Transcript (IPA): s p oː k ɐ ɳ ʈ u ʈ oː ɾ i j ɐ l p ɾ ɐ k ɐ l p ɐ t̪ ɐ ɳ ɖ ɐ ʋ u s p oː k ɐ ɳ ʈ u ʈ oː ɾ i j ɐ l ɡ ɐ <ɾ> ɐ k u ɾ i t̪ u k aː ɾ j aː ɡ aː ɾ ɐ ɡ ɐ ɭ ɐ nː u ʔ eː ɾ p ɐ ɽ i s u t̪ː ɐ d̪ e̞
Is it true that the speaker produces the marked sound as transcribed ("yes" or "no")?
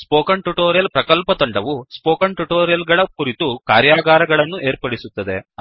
no